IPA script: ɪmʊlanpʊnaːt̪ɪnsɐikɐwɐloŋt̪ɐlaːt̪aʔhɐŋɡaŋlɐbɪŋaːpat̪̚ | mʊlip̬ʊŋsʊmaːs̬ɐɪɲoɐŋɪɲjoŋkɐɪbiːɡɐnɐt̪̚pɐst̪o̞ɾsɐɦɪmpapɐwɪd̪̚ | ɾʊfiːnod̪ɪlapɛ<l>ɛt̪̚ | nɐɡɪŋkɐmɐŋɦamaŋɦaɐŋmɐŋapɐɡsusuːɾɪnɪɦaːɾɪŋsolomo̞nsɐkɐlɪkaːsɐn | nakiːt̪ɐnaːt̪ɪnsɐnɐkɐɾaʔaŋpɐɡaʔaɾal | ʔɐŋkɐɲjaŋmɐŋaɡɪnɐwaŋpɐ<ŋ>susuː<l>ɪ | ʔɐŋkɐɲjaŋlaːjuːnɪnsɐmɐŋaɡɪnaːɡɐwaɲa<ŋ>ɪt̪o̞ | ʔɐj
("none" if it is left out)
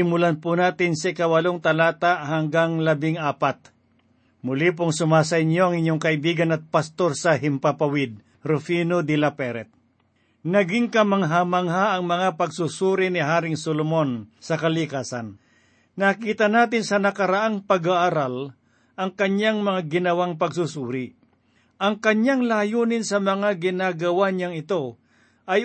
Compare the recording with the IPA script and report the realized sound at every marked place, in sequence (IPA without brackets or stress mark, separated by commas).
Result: ɾ, ɡ, ɾ, ŋ